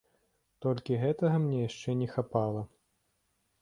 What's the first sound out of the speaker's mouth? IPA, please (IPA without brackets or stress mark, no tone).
t̪